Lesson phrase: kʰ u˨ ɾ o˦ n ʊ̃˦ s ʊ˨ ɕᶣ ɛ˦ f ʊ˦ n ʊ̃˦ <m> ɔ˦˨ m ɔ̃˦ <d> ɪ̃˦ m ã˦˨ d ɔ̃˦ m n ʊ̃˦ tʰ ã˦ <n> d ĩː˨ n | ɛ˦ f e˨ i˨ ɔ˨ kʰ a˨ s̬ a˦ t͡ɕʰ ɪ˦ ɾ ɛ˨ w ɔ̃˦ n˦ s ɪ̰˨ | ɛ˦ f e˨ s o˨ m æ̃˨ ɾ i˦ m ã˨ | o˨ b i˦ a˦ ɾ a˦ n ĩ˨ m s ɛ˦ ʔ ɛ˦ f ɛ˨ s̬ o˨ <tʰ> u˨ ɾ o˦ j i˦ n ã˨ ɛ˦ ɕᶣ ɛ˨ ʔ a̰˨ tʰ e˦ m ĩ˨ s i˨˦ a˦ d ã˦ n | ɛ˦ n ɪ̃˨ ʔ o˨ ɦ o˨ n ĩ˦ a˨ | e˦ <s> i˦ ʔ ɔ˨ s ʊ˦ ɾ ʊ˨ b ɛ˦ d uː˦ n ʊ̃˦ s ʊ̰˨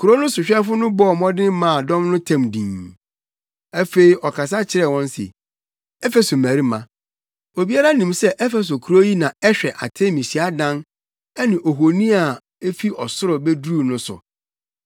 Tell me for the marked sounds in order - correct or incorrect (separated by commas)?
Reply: incorrect, correct, incorrect, incorrect, incorrect